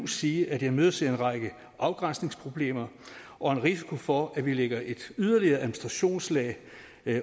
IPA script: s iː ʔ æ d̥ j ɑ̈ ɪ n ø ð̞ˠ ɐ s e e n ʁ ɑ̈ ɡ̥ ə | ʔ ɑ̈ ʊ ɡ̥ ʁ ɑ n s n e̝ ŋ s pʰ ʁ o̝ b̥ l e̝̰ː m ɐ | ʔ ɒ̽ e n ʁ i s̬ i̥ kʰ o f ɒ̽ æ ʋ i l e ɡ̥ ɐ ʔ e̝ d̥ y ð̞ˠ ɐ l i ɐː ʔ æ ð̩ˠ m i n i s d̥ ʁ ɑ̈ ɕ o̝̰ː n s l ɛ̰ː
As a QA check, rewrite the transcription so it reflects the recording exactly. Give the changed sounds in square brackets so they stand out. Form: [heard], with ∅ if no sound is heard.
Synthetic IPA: s iː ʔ æ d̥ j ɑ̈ ɪ [m] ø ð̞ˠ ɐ s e e n ʁ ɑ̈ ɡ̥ ə | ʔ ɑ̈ ʊ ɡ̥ ʁ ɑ n s n e̝ ŋ s pʰ ʁ o̝ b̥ l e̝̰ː m ɐ | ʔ ɒ̽ e n ʁ i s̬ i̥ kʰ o f ɒ̽ æ ʋ i l e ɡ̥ ɐ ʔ e̝ d̥ y ð̞ˠ ɐ l i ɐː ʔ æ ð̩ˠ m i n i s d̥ ʁ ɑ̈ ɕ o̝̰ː n s l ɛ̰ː

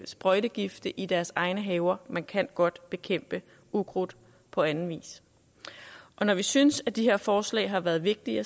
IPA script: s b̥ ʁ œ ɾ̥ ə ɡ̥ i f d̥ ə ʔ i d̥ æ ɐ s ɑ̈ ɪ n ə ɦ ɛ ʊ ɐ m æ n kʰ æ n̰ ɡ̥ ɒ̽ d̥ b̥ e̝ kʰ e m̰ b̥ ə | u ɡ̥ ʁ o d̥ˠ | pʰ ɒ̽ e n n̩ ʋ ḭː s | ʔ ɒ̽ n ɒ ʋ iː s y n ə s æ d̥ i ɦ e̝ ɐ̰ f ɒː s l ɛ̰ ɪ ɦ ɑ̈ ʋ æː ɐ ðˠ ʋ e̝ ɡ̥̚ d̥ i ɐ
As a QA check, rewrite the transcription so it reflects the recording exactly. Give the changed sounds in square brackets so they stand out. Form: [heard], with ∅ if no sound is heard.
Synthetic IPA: s b̥ ʁ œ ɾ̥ ə ɡ̥ i f d̥ ə ʔ i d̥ æ ɐ s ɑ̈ ɪ n ə ɦ ɛ ʊ ɐ m æ n kʰ æ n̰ ɡ̥ ɒ̽ d̥ b̥ e̝ kʰ e m̰ b̥ ə | u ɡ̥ ʁ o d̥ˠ | pʰ ɒ̽ [æ] n n̩ ʋ ḭː s | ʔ ɒ̽ n ɒ ʋ [i] s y n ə s æ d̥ i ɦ e̝ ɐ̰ f ɒː s l ɛ̰ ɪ ɦ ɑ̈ ʋ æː ɐ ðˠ ʋ e̝ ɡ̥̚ d̥ i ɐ

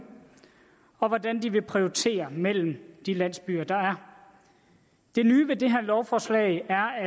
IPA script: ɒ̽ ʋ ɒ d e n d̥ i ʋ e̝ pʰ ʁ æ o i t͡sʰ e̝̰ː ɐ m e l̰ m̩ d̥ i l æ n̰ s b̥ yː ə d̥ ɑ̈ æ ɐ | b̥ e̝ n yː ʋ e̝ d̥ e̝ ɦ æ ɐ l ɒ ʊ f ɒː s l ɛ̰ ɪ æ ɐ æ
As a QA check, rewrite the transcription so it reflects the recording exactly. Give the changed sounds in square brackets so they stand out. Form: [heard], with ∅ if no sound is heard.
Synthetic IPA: ɒ̽ ʋ ɒ d [æ] n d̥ i ʋ e̝ pʰ ʁ [i] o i t͡sʰ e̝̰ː ɐ m e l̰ m̩ d̥ i l æ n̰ s b̥ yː [ɐ] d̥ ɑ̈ æ ɐ | [d̥] e̝ n yː ʋ e̝ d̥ e̝ ɦ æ ɐ l ɒ ʊ f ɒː s l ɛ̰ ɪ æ ɐ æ

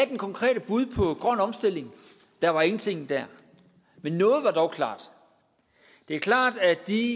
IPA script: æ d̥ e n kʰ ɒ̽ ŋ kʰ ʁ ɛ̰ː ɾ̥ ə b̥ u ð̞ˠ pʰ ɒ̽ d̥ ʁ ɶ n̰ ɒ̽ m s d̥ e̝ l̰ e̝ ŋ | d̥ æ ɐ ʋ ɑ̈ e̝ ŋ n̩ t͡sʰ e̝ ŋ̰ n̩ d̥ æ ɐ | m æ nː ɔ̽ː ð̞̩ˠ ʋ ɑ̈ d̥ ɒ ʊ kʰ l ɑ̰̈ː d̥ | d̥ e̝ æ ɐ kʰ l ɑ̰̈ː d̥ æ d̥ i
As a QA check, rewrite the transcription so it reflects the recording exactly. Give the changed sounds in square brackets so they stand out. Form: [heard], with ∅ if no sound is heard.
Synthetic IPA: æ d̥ e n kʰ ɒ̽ ŋ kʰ ʁ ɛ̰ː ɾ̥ ə b̥ u ð̞ˠ pʰ ɒ̽ [ɡ̥] ʁ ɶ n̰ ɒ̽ m s d̥ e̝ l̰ e̝ ŋ | d̥ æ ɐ ʋ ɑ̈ e̝ ŋ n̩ t͡sʰ e̝ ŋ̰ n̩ d̥ æ ɐ | m [e] nː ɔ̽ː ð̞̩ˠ ʋ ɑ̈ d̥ ɒ ʊ kʰ l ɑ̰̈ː d̥ | d̥ e̝ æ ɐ kʰ l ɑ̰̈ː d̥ æ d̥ i

